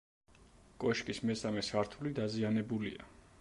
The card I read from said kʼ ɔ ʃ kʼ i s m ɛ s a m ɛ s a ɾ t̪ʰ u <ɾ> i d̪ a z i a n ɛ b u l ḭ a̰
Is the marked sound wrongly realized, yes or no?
yes